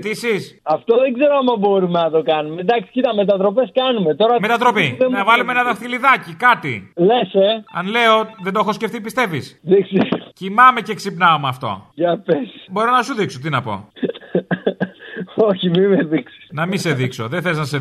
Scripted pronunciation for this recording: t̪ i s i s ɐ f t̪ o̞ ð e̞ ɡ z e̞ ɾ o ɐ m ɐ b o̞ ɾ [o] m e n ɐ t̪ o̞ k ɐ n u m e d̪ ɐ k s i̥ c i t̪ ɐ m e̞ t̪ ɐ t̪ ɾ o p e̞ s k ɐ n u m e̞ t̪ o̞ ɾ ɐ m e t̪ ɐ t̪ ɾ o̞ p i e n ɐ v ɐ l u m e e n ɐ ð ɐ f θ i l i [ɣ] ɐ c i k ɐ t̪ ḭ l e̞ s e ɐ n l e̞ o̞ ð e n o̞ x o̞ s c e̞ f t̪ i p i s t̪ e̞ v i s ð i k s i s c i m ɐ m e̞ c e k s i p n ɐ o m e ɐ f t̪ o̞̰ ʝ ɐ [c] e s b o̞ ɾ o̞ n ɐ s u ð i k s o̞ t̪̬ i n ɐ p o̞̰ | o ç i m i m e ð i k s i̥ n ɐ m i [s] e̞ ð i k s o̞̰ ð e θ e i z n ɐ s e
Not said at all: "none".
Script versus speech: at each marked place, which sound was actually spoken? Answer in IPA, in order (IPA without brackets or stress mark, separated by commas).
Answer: u, ð, p, s